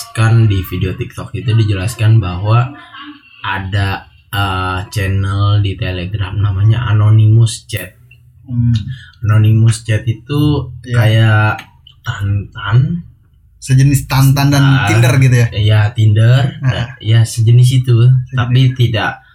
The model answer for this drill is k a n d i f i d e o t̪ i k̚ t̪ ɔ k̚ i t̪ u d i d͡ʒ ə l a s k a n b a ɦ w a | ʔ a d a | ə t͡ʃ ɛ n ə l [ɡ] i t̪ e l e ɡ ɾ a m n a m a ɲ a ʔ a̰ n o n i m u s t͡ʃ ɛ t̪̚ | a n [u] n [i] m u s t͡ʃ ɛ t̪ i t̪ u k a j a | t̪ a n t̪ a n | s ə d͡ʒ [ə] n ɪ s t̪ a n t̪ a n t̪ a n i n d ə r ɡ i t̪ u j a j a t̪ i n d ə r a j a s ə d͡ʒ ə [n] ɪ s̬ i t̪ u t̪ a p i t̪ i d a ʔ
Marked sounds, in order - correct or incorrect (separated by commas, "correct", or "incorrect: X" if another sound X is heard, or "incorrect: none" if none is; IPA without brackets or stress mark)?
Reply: incorrect: d, incorrect: o, correct, correct, correct